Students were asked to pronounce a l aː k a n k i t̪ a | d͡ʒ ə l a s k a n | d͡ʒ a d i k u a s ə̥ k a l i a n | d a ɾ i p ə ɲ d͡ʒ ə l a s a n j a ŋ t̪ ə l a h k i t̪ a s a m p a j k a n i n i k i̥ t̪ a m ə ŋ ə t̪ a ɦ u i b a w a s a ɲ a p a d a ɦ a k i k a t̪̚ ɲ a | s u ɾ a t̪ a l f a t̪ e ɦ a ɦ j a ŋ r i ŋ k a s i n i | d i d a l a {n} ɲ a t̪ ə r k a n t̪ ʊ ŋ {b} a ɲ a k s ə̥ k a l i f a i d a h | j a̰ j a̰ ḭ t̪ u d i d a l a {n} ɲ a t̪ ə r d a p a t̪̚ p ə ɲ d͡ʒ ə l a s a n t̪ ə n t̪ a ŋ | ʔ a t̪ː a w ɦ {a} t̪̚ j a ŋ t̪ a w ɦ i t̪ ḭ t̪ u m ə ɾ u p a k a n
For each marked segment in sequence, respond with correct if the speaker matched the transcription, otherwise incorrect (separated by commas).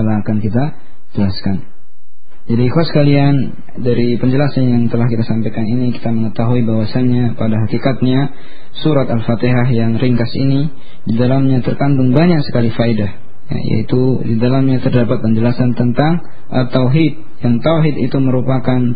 incorrect, correct, incorrect, incorrect